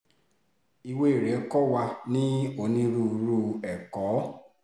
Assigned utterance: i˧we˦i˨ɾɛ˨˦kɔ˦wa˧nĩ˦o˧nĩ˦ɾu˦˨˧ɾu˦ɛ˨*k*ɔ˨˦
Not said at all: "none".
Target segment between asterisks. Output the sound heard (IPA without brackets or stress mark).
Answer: k